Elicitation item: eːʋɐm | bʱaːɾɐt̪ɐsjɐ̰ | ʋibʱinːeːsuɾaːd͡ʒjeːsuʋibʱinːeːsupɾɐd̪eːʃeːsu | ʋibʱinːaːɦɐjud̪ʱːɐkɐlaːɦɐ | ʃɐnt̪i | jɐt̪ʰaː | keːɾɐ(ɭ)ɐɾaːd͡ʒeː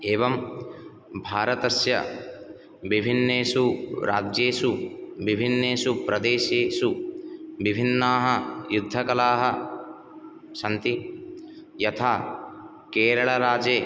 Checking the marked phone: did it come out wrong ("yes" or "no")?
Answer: no